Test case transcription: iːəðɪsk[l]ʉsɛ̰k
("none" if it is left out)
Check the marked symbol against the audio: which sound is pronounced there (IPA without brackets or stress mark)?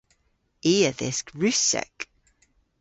ɹ